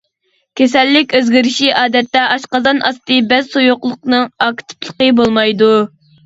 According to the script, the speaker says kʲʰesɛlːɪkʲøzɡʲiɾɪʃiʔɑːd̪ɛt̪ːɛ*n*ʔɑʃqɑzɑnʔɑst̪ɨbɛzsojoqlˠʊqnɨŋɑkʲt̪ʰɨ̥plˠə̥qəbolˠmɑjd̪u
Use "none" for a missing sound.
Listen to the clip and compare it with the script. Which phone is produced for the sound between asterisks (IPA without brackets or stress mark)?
none